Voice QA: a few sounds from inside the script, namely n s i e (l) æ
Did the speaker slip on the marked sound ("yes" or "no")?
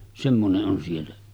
yes